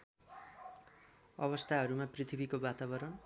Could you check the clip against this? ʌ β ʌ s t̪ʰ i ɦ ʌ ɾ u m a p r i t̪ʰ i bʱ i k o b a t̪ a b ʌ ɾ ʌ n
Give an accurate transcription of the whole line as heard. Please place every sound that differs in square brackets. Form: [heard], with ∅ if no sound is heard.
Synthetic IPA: ʌ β ʌ s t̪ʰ [a] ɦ ʌ ɾ u m a p r i t̪ʰ i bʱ i k o b a t̪ a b ʌ ɾ ʌ n